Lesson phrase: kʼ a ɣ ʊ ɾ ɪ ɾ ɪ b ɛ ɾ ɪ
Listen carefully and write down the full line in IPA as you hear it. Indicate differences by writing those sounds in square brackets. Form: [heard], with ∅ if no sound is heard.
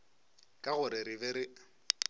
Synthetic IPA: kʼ a ɣ ʊ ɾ ɪ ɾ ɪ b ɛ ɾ ɪ